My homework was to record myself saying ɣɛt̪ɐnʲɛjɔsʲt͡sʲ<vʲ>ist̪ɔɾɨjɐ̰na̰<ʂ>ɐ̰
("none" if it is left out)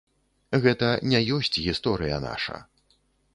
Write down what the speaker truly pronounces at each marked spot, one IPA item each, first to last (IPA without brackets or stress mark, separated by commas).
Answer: ɣʲ, ʂ